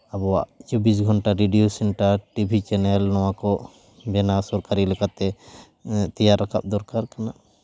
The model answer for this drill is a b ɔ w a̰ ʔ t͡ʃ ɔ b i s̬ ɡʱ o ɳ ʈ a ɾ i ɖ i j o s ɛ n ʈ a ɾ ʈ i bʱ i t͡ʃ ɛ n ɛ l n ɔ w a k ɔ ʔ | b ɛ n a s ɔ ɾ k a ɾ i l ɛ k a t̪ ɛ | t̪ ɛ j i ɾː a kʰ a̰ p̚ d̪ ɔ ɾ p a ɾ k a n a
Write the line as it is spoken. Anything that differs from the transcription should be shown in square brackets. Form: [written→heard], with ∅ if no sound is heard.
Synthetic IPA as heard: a b ɔ w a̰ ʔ t͡ʃ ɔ b i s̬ ɡʱ [o→ɔ] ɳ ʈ a ɾ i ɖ i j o s ɛ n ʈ a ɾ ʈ i bʱ i t͡ʃ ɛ n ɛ l n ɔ w a k ɔ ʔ | b ɛ n a s ɔ ɾ k a ɾ i l ɛ k a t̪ ɛ | t̪ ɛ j [i→a] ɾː a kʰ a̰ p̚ d̪ ɔ ɾ [p→k] a ɾ k a n a